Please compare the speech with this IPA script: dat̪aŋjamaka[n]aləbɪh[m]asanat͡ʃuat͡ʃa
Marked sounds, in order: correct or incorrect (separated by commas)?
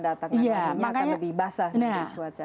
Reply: incorrect, incorrect